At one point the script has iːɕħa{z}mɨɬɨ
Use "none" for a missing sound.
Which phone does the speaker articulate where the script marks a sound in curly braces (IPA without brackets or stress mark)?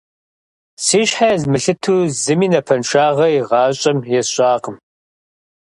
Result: z